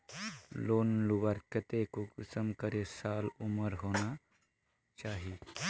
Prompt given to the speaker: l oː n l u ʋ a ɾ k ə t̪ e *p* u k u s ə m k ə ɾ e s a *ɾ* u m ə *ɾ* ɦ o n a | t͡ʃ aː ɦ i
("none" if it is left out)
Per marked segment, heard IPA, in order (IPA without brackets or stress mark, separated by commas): k, l, ɾ